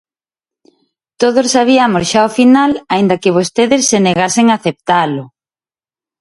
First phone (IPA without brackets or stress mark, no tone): t̪